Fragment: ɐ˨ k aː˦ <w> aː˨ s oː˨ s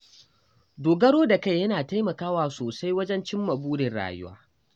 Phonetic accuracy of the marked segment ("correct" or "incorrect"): correct